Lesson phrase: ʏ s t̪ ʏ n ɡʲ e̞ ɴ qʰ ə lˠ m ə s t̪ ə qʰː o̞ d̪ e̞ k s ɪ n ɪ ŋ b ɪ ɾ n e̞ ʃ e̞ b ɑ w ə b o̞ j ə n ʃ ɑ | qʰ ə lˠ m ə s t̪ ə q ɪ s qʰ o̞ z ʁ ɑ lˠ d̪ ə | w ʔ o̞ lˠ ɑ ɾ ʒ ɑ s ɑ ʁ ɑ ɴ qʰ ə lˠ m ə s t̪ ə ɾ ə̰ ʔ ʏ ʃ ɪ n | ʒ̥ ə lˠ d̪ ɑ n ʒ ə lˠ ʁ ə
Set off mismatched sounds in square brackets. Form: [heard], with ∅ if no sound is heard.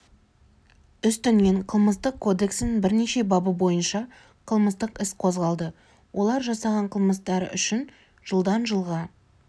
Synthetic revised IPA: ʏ s t̪ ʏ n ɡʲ e̞ ɴ qʰ ə lˠ m ə s t̪ ə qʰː o̞ d̪ e̞ k s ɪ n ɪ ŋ b ɪ ɾ n e̞ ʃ e̞ b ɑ [b] ə b o̞ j ə n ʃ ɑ | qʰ ə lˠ m ə s t̪ ə q ɪ s qʰ o̞ z ʁ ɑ lˠ d̪ ə | w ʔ o̞ lˠ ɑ ɾ ʒ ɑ s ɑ ʁ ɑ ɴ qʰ ə lˠ m ə s t̪ [ɑ] ɾ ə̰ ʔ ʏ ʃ ɪ n | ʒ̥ ə lˠ d̪ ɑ n ʒ ə lˠ ʁ [ɑ]